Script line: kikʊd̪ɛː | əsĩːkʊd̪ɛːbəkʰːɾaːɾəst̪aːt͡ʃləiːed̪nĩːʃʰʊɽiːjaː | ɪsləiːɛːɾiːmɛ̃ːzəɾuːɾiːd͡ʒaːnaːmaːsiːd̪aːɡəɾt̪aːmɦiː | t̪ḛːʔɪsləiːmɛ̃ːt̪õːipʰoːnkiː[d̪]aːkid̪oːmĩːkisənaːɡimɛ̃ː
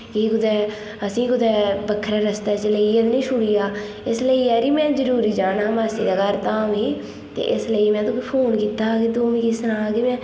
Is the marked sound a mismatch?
yes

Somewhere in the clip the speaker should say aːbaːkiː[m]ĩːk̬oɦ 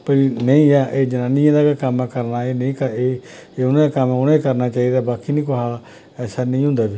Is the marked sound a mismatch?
yes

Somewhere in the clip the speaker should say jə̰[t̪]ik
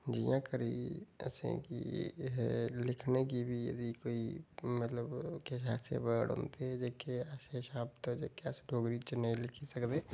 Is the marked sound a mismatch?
yes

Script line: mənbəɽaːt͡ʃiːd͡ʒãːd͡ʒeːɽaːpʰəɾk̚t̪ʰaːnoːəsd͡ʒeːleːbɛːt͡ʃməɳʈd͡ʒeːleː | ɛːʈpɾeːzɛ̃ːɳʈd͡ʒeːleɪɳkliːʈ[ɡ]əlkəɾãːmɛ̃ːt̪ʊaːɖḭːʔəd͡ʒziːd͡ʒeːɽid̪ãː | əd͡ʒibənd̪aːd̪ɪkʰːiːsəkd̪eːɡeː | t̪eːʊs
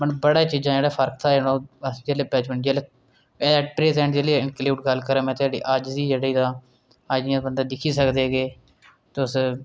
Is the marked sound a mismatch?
no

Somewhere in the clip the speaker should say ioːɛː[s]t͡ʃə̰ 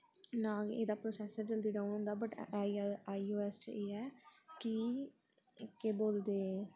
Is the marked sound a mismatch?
no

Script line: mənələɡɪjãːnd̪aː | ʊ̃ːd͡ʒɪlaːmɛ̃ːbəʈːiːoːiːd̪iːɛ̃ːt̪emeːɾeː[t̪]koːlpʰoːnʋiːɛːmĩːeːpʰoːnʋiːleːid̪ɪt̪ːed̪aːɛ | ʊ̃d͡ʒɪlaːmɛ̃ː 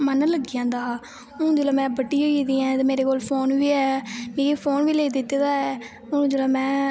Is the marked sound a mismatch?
yes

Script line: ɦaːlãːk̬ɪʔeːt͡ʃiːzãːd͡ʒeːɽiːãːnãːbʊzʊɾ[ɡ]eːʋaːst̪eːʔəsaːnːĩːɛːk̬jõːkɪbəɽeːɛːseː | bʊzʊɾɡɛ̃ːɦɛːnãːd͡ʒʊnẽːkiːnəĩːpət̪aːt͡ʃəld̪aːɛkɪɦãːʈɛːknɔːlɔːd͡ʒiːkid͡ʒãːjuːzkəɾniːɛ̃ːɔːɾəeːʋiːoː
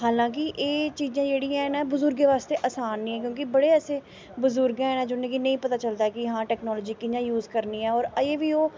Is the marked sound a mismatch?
no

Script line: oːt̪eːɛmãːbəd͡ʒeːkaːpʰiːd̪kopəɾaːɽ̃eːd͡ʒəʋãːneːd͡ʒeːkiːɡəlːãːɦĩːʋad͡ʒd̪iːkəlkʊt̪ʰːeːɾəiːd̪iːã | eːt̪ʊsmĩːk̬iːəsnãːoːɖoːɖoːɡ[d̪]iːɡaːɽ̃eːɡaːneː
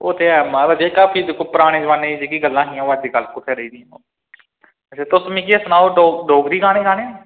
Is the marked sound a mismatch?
no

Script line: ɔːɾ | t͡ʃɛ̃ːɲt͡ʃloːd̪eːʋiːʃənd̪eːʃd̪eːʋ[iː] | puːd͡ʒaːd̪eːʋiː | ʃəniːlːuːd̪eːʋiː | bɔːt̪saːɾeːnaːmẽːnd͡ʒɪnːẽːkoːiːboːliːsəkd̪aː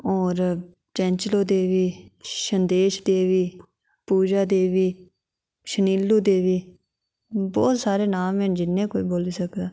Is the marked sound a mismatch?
no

